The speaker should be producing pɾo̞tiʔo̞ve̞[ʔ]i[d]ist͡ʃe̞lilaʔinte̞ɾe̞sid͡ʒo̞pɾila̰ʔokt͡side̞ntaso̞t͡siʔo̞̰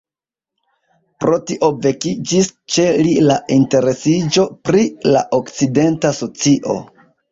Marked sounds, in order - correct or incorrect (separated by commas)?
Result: incorrect, incorrect